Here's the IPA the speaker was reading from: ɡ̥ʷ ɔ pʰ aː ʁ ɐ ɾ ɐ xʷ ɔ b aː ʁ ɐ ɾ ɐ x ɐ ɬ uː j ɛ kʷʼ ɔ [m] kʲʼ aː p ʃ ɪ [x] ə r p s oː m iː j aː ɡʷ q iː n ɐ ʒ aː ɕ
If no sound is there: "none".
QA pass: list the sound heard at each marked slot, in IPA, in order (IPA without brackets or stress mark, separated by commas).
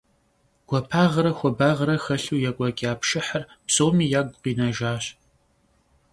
none, ħ